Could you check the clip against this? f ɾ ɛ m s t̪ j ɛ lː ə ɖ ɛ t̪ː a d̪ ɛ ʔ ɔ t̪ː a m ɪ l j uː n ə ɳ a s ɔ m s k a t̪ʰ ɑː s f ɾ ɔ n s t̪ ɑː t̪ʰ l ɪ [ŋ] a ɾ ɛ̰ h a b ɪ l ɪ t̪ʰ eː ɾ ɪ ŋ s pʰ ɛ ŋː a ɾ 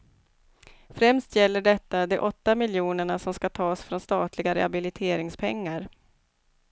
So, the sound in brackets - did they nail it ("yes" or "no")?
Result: no